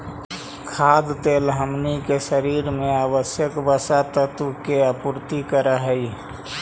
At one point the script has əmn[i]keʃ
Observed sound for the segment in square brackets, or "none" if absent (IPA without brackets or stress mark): i